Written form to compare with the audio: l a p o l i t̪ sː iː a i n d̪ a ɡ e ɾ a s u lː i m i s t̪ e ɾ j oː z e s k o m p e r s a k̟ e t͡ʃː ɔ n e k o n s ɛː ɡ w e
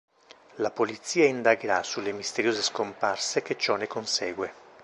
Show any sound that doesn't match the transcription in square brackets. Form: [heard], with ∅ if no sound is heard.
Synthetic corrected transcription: l a p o l i t̪ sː iː a i n d̪ a ɡ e ɾ a s u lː [e] m i s t̪ e ɾ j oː z e s k o m p [a] r s [e] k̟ e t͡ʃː ɔ n e k o n s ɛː ɡ w e

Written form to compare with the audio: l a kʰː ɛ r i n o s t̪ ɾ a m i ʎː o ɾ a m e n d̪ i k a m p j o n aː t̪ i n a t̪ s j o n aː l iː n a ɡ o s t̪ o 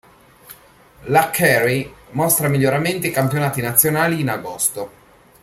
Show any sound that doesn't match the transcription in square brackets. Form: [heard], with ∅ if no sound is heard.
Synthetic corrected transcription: l a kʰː ɛ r i [m] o s t̪ ɾ a m i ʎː o ɾ a m e n [t̪] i k a m p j o n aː t̪ i n a t̪ [sː] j o n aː l iː n a ɡ o s t̪ o

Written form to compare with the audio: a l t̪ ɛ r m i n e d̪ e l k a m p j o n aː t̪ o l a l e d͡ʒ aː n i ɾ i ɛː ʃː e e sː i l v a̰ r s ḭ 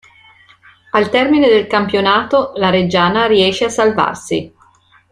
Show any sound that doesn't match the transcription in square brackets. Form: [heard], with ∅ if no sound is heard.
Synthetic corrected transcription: a l t̪ ɛ r m i n e d̪ e l k a m p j o n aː t̪ o l a [ɾ] e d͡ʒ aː n [a] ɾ i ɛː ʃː e [a] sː [a] l v a̰ r s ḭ

